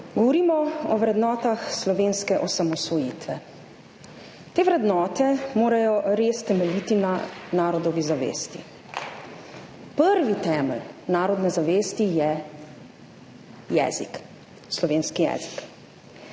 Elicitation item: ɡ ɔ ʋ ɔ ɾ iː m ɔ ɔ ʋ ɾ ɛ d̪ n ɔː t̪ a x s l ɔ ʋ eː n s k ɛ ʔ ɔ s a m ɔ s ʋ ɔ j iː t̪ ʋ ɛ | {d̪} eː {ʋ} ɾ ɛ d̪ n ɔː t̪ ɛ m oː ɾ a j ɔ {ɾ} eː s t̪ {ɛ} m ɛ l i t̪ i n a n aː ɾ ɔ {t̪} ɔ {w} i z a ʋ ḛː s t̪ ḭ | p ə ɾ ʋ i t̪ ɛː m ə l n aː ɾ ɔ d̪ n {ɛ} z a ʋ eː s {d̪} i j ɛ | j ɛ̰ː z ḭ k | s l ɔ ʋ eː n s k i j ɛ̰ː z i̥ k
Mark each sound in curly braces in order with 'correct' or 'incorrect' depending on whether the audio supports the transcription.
incorrect: t̪, correct, correct, correct, incorrect: d̪, incorrect: ʋ, correct, incorrect: t̪

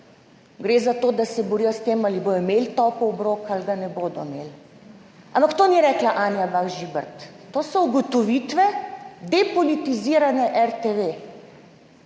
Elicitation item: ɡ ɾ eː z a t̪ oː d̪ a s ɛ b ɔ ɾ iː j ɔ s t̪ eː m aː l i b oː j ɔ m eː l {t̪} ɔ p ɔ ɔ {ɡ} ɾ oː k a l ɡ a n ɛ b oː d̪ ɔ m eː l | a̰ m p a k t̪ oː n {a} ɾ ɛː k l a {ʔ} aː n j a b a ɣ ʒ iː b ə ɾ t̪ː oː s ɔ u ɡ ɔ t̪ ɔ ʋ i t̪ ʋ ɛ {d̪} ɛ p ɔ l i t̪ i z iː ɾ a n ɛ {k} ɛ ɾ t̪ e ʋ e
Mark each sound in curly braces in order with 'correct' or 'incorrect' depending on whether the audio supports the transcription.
correct, incorrect: b, incorrect: i, correct, correct, incorrect: ʔ

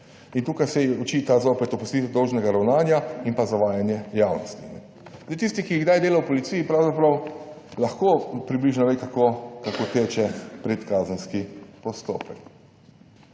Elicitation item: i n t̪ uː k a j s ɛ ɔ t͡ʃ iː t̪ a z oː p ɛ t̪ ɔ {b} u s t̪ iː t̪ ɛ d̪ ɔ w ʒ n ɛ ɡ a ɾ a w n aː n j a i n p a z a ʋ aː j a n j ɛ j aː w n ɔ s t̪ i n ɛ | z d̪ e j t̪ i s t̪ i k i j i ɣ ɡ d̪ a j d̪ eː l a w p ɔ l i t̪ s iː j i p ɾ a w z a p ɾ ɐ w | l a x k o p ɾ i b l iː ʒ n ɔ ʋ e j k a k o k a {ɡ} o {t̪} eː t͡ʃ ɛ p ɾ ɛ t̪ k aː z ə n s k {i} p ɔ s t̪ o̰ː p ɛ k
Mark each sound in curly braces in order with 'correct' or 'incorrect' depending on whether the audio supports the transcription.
incorrect: p, incorrect: k, correct, correct

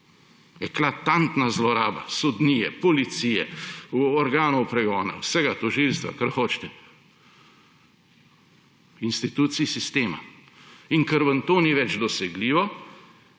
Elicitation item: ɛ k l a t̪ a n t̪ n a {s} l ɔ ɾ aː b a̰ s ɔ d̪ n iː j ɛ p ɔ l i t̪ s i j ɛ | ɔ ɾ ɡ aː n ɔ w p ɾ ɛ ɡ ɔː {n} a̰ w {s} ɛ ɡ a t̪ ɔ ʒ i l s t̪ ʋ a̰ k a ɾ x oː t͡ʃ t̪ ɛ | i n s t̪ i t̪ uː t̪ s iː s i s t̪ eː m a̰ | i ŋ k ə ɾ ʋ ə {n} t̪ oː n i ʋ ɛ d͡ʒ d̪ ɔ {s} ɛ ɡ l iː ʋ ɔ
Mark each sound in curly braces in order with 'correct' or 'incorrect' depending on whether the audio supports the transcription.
incorrect: z, correct, correct, correct, correct

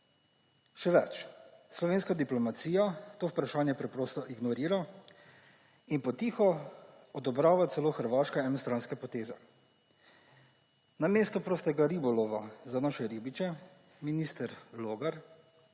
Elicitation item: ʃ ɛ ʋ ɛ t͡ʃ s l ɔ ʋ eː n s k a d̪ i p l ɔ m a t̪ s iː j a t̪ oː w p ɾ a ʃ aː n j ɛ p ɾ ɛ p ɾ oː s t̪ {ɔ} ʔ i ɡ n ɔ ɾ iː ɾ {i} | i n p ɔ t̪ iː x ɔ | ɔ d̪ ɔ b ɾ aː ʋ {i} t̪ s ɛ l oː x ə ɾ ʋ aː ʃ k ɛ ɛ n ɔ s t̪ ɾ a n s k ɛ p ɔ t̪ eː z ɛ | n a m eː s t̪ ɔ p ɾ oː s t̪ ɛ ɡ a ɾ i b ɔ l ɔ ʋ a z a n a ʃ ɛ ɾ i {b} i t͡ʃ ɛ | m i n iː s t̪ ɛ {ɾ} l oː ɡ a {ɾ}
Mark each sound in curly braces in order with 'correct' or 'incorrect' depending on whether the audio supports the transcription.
correct, incorrect: a, incorrect: a, correct, correct, correct

